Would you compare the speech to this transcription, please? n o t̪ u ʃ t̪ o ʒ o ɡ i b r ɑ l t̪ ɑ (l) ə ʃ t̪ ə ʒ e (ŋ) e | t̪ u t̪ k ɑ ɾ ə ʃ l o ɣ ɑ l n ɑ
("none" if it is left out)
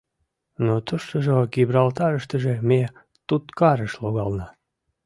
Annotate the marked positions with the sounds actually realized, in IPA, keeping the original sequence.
ɾ, m

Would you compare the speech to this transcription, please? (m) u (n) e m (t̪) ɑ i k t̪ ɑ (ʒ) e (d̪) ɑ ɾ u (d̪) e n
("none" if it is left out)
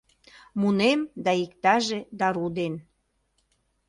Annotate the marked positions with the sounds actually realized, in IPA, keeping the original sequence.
m, n, d̪, ʒ, d̪, d̪

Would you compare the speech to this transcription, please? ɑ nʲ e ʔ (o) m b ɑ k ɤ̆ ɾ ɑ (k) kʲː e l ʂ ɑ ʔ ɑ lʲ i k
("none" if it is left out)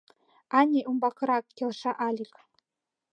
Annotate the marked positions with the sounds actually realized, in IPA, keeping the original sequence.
u, k

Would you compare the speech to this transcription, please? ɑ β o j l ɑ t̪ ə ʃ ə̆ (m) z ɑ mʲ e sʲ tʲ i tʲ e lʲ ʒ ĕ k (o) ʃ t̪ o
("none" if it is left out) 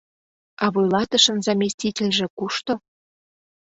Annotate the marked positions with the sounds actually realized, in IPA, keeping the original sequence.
n, u

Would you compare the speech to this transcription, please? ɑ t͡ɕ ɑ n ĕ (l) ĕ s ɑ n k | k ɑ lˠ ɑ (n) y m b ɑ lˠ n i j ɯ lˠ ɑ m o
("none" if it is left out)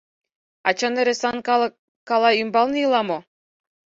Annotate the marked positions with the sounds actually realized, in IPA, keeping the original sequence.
ɾ, none

